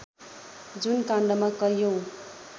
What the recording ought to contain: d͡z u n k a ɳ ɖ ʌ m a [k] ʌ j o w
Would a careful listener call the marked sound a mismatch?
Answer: no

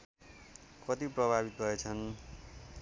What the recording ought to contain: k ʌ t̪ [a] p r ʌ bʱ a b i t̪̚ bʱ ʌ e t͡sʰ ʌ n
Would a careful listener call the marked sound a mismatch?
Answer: yes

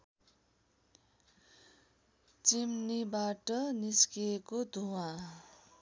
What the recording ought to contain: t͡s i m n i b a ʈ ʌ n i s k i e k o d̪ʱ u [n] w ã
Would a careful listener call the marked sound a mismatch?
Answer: yes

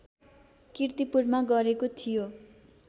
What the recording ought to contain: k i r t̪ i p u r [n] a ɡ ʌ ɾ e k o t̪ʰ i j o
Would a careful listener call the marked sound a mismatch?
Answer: yes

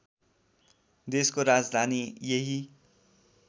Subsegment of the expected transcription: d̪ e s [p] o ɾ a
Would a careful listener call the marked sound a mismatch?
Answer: yes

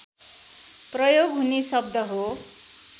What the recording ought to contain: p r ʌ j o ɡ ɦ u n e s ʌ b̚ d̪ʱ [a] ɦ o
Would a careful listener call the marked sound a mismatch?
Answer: yes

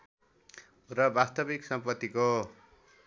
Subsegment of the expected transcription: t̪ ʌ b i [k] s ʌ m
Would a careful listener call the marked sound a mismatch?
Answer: no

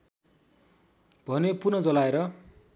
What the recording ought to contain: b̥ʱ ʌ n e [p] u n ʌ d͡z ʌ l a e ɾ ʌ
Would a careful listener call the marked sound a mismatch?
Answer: no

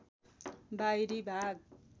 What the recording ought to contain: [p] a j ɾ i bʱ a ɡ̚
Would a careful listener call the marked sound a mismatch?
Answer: yes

